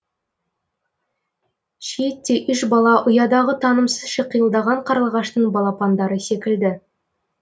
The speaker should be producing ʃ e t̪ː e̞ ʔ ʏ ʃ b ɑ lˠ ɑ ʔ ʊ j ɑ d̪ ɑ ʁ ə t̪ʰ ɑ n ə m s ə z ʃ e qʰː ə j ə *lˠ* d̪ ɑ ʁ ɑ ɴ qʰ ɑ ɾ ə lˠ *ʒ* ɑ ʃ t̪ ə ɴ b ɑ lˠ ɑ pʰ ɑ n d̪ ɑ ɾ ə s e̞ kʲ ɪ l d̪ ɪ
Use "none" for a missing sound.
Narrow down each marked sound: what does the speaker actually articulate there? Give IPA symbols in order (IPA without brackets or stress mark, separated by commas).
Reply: lˠ, ʁ